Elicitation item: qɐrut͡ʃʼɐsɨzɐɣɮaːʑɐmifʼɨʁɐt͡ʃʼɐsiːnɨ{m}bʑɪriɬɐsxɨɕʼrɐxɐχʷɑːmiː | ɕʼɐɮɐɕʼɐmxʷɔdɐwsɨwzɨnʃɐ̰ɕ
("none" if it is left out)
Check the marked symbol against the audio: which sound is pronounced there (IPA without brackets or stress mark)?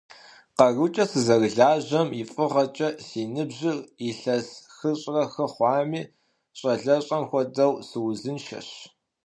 none